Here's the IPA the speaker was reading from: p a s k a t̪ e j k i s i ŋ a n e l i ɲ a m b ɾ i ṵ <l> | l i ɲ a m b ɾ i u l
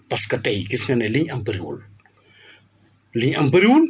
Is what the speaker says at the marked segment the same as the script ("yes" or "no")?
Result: yes